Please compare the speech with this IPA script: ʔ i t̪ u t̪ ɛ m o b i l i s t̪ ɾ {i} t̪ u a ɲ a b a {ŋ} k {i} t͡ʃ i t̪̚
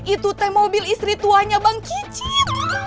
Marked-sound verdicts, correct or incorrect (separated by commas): correct, correct, correct